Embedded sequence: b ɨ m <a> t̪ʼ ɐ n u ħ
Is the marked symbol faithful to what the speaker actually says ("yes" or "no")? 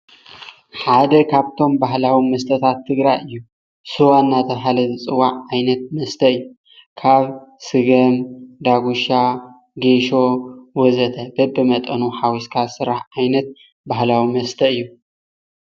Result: no